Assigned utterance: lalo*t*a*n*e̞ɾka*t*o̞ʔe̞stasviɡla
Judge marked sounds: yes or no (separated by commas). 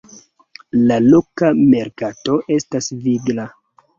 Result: no, no, yes